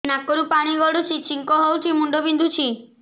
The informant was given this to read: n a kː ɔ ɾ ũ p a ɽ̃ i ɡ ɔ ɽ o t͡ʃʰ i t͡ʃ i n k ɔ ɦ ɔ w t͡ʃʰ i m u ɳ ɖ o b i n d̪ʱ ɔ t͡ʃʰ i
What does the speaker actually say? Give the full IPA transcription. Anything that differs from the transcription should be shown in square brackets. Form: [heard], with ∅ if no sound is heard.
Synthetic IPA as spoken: n a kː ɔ ɾ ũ p a ɽ̃ i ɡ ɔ ɽ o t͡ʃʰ i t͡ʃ i [ŋ] k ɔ ɦ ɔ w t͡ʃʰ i m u ɳ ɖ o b i n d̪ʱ [u] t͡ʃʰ i